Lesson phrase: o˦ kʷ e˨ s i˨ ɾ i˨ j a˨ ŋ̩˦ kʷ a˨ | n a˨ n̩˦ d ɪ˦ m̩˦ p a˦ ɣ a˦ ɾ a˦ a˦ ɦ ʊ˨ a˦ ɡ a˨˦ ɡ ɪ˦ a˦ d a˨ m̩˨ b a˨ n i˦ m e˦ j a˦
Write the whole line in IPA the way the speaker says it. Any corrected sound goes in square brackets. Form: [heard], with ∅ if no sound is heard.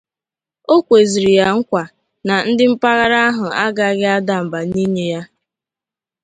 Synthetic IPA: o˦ kʷ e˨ [z] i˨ ɾ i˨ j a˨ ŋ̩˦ kʷ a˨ | n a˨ n̩˦ d ɪ˦ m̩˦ p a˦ ɣ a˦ ɾ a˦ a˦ ɦ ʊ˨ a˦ ɡ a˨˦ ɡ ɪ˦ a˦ d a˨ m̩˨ b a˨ n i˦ [ɲ] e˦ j a˦

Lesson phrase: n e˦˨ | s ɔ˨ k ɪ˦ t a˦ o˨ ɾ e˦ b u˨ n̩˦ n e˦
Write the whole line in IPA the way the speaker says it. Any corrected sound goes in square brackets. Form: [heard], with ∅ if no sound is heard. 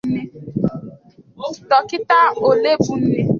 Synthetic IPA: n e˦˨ | [t] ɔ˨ k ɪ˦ t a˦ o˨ [l] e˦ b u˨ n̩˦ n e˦

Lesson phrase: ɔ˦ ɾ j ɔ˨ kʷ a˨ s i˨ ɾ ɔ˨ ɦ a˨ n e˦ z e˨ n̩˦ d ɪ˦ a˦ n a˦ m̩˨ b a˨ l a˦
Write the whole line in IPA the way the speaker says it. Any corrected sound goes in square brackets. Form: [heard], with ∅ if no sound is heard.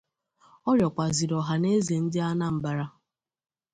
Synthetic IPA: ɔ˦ ɾ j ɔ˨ kʷ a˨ [z] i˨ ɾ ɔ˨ ɦ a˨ n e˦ z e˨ n̩˦ d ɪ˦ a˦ n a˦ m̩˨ b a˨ [ɾ] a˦

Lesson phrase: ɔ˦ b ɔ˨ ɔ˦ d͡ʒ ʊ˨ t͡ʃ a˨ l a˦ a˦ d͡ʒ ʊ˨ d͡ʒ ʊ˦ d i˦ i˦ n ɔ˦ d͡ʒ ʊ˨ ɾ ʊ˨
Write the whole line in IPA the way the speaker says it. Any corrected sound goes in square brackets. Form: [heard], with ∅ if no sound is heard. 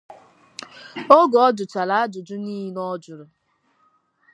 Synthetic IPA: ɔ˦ [ɡ] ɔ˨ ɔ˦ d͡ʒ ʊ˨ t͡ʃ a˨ l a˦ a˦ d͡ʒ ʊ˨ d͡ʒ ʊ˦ [n] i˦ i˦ n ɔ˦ d͡ʒ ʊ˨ ɾ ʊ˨

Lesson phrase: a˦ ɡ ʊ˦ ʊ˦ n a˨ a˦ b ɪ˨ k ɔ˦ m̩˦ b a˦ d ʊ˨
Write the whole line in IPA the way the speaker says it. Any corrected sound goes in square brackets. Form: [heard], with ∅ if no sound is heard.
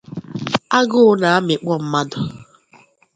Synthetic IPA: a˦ ɡ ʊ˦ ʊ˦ n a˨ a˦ [m] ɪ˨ [k͡p] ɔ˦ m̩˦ [m] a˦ d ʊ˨

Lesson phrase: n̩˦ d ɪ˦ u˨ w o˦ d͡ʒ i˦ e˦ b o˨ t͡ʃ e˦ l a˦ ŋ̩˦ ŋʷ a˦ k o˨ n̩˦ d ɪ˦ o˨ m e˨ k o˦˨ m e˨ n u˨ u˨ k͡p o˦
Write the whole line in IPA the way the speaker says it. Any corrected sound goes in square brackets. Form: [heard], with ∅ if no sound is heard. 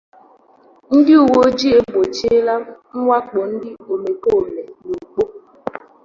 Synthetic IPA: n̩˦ d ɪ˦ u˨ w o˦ d͡ʒ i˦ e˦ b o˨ t͡ʃ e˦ l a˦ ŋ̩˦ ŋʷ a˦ [k͡p] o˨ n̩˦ d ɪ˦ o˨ m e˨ k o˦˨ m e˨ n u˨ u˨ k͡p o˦

